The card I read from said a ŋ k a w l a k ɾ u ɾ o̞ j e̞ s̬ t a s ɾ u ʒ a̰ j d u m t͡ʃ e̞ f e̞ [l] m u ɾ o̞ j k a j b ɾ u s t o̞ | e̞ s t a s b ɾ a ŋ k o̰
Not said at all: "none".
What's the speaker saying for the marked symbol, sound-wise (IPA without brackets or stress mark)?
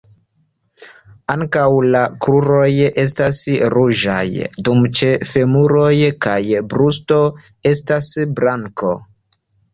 none